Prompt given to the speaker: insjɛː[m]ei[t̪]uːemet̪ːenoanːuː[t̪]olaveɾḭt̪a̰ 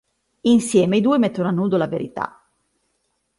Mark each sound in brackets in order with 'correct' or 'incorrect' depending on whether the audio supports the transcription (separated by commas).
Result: correct, incorrect, incorrect